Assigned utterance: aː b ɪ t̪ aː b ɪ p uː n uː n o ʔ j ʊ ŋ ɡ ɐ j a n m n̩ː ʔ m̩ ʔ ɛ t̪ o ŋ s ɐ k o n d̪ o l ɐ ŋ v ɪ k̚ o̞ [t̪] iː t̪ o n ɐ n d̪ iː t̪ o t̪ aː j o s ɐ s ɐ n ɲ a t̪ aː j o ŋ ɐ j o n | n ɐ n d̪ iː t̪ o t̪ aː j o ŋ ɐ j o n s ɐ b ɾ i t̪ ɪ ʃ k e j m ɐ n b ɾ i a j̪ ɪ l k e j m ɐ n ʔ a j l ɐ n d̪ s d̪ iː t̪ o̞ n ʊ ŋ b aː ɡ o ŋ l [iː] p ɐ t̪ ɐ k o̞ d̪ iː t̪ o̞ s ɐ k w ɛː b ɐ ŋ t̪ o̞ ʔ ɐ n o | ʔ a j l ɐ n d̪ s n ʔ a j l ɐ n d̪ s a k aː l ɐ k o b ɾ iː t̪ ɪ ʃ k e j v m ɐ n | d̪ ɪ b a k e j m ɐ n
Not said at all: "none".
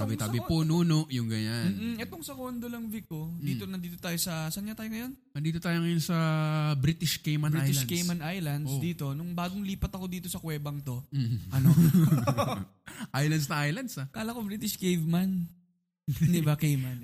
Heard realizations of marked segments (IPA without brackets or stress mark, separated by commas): d̪, iː